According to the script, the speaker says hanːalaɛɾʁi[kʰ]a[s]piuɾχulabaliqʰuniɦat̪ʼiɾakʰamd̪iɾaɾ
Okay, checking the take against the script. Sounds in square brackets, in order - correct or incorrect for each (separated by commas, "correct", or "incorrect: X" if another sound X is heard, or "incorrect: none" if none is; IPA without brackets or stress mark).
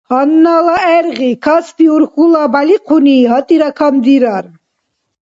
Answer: correct, correct